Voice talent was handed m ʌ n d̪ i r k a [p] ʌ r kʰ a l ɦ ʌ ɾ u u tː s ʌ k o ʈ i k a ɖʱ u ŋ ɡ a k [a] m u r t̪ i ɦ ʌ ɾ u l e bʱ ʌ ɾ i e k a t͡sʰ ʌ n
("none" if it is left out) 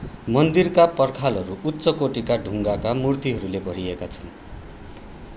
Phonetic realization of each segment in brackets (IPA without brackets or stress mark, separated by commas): p, a